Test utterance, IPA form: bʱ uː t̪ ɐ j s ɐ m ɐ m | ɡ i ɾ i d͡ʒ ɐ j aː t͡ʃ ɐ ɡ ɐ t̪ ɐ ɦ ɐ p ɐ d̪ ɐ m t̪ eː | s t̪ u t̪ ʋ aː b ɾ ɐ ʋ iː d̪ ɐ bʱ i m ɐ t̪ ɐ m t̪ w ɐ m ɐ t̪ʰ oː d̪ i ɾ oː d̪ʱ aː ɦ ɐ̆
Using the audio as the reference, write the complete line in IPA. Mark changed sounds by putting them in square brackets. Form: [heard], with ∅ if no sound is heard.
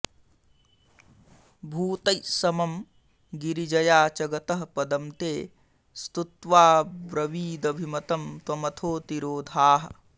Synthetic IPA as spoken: bʱ uː t̪ ɐ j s ɐ m ɐ m | ɡ i ɾ i d͡ʒ ɐ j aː t͡ʃ ɐ ɡ ɐ t̪ ɐ ɦ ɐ p ɐ d̪ ɐ m t̪ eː | s t̪ u t̪ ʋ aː b ɾ ɐ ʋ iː d̪ ɐ bʱ i m ɐ t̪ ɐ m t̪ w ɐ m ɐ t̪ʰ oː [t̪] i ɾ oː d̪ʱ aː ɦ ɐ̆